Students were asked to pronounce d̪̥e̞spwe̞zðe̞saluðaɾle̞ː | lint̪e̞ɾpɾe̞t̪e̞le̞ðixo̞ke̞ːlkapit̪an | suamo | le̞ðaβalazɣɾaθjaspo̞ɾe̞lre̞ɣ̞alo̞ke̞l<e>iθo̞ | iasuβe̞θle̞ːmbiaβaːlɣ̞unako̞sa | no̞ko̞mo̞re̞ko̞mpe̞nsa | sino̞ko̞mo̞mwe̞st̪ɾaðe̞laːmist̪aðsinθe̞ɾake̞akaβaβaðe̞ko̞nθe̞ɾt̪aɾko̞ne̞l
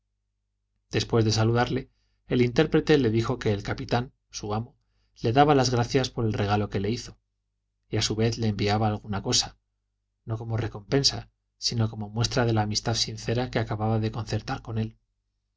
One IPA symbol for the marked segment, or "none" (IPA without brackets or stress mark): e